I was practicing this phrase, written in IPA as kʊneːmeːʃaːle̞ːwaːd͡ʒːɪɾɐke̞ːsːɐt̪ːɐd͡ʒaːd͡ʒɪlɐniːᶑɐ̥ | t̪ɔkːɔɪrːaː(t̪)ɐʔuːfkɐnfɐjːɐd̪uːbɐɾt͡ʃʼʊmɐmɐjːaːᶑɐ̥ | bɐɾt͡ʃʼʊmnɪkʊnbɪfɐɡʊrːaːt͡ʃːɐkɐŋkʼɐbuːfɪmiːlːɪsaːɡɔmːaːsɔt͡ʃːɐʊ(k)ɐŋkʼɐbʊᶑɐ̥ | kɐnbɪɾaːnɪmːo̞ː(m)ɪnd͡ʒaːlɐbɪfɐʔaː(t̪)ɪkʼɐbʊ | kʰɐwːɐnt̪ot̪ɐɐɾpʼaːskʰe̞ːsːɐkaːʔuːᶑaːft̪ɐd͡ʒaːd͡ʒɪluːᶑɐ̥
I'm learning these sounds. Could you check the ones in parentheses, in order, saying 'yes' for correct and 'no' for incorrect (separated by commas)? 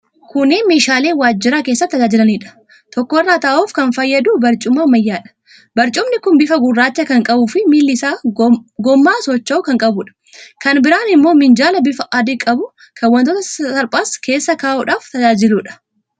yes, yes, yes, no